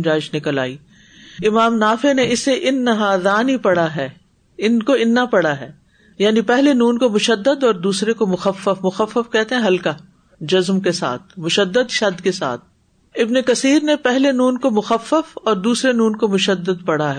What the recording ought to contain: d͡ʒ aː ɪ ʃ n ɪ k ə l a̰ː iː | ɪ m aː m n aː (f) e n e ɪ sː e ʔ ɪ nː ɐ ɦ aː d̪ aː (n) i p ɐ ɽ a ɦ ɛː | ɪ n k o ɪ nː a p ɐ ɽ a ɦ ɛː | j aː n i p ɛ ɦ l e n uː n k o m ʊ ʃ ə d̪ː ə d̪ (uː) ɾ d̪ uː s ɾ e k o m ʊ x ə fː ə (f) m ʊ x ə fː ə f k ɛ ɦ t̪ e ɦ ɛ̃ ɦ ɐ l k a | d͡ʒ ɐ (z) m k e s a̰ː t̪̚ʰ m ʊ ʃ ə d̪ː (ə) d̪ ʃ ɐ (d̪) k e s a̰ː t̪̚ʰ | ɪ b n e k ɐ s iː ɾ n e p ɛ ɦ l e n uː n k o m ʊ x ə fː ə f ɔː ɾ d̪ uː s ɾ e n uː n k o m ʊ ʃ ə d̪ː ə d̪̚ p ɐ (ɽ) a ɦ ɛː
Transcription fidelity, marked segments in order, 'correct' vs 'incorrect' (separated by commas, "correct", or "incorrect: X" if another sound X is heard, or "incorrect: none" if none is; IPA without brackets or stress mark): correct, correct, incorrect: ɔː, correct, correct, correct, correct, correct